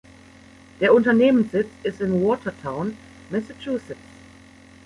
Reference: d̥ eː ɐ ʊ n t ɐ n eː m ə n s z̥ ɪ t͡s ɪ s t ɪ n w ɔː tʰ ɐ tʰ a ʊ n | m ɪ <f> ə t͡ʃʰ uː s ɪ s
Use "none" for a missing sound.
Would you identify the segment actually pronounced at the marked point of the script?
s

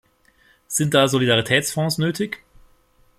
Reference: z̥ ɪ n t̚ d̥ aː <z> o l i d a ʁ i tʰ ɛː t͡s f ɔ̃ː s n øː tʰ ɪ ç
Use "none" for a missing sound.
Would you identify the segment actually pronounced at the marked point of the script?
z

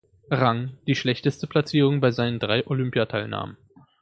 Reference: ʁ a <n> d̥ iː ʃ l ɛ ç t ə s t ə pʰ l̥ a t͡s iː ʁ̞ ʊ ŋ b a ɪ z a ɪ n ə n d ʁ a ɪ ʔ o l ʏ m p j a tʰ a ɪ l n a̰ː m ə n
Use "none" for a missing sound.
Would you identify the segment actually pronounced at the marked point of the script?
ŋ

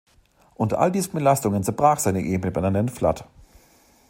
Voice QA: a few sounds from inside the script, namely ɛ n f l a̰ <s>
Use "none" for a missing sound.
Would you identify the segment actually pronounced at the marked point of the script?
t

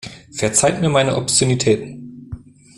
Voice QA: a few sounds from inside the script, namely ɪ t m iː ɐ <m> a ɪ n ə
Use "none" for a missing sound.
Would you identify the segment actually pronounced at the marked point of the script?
m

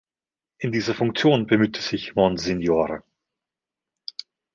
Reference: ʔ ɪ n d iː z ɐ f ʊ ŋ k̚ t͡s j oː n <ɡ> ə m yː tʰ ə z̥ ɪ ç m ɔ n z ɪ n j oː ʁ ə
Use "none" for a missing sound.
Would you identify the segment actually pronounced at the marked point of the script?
b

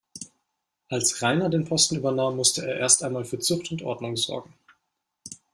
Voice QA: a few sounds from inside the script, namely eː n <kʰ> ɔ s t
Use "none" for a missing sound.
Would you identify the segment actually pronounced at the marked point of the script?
pʰ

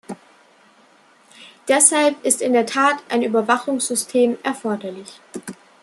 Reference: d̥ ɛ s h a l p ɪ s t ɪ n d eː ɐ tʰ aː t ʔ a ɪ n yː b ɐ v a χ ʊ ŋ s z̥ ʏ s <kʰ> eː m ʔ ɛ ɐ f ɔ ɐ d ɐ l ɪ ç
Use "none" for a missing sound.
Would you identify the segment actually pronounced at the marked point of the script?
tʰ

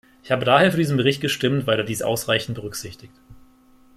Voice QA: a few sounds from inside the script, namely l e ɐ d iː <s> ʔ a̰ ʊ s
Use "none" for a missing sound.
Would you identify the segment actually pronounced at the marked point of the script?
s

